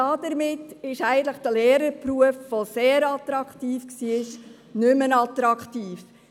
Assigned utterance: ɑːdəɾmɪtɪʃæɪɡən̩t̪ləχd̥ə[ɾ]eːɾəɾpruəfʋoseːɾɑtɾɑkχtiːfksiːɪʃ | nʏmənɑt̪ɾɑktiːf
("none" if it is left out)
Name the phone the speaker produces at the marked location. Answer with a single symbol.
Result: l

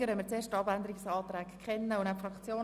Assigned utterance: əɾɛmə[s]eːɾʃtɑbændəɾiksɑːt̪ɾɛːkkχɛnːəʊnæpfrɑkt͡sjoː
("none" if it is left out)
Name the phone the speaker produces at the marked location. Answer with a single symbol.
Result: t͡s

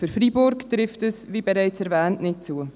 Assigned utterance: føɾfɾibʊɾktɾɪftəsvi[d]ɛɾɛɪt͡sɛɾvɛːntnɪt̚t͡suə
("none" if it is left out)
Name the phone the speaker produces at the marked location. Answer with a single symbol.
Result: b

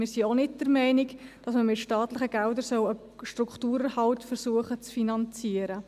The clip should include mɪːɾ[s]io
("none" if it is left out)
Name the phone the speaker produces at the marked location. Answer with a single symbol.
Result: s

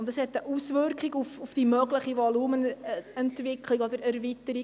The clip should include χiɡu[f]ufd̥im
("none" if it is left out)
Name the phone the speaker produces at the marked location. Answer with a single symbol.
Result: f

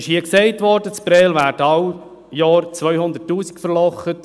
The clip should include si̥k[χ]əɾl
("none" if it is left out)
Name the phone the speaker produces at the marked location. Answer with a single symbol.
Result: f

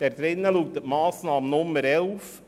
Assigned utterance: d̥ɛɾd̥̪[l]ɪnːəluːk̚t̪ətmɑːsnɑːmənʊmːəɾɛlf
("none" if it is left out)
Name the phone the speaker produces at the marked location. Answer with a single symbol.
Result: ɾ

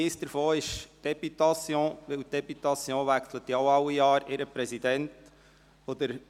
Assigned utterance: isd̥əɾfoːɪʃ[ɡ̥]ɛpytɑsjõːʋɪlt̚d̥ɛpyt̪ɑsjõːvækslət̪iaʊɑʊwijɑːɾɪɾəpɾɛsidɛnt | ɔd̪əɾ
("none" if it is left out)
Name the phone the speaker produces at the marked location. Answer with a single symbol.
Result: d̥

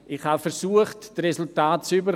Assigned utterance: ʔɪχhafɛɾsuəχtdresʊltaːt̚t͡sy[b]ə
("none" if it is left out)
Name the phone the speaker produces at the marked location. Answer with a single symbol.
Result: b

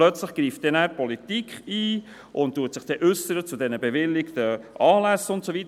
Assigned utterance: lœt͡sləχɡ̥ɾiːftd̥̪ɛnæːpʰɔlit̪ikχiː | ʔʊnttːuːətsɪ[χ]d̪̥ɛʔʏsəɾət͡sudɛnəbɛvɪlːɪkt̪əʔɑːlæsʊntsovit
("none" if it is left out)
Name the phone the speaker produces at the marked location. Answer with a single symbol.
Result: χ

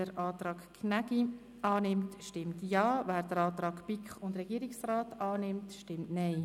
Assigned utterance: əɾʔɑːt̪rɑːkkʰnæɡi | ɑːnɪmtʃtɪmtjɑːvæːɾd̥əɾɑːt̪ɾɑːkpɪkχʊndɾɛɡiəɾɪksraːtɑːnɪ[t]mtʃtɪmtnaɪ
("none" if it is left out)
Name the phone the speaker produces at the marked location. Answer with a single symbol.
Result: none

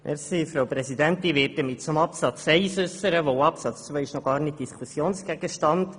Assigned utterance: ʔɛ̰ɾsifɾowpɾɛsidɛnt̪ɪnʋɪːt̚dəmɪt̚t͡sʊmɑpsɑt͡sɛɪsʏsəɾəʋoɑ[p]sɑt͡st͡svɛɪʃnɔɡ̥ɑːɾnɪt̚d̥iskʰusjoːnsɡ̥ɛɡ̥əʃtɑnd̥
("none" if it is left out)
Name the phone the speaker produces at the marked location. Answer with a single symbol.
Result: p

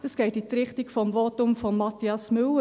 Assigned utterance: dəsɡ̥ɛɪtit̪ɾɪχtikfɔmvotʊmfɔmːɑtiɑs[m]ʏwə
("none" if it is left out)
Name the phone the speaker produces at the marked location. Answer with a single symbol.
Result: m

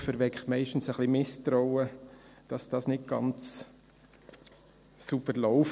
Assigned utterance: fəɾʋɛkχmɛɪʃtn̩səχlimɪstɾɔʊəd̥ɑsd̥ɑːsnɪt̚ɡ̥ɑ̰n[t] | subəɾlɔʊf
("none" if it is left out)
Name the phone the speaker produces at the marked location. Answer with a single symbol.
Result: t͡s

